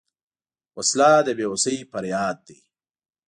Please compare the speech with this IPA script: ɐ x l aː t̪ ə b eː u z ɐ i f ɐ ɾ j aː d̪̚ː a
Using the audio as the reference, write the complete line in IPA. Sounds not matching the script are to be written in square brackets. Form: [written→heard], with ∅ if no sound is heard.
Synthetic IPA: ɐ [x→s] l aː [t̪→d̪] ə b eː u [z→s] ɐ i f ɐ ɾ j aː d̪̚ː [a→i]